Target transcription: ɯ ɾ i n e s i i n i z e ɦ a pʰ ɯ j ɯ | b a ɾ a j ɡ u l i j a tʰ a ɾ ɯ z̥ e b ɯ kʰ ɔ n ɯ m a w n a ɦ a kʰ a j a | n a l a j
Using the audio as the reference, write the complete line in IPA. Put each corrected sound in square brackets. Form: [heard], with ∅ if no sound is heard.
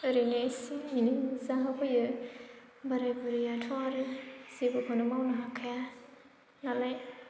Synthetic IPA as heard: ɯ ɾ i n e s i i n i z [a] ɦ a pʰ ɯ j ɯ | b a ɾ a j [b] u [ɾ] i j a tʰ a ɾ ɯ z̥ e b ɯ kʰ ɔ n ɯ m a w n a ɦ a kʰ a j a | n a l a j